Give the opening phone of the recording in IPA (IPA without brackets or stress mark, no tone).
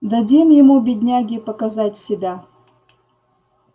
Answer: d̪